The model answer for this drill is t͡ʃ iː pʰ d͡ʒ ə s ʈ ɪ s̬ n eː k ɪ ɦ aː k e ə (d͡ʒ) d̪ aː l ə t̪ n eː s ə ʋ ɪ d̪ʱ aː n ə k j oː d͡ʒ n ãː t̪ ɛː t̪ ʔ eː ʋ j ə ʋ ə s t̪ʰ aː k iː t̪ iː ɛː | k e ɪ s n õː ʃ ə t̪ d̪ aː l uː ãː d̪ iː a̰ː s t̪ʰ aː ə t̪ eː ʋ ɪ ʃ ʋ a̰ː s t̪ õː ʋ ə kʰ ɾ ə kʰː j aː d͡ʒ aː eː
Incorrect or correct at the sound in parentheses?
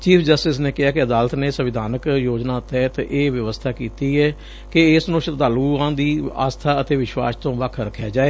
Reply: incorrect: none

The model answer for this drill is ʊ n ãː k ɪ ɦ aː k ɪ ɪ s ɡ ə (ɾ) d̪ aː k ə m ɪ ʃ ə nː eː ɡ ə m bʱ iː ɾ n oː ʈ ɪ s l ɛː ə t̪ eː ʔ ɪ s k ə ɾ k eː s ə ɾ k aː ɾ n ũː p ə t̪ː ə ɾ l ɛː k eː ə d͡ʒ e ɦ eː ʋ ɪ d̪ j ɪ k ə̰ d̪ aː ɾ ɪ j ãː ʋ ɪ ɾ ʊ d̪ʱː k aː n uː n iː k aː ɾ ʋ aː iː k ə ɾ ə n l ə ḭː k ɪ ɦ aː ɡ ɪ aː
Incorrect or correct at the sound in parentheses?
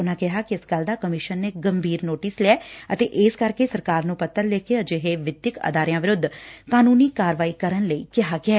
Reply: incorrect: l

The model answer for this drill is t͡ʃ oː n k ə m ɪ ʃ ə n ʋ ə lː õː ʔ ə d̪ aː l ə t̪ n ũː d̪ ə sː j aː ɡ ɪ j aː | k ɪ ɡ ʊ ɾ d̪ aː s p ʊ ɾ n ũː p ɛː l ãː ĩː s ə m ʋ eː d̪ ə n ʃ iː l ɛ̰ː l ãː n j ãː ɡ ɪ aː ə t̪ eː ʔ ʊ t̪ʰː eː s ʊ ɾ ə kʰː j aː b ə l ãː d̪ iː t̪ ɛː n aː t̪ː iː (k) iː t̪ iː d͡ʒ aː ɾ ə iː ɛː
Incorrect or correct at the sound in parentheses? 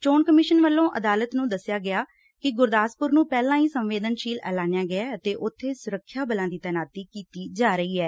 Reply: correct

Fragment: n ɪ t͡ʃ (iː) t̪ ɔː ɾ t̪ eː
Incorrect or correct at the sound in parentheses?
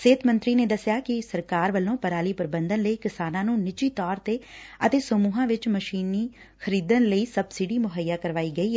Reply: correct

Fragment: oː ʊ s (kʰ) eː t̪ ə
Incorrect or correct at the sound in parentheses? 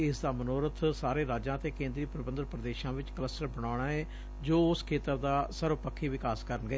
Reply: correct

